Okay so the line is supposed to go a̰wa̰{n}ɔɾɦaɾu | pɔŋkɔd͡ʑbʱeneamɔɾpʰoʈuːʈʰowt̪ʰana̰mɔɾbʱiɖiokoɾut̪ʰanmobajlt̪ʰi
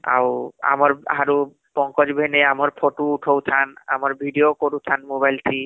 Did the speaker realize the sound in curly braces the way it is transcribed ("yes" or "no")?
no